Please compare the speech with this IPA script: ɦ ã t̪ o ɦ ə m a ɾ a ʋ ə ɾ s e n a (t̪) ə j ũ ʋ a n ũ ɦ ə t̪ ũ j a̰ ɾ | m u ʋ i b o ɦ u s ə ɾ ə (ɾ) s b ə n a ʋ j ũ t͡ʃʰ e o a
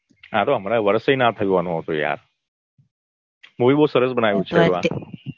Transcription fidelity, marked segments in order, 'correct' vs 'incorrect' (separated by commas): incorrect, incorrect